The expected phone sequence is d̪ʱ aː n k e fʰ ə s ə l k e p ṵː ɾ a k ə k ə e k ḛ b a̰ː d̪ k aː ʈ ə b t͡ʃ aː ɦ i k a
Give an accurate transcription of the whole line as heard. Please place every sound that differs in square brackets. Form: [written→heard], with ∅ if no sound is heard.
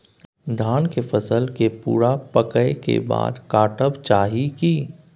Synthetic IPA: d̪ʱ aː n k e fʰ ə s ə l k e p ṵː ɾ a [k→p] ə k ə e k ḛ b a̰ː d̪ k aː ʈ ə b t͡ʃ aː ɦ i k [a→i]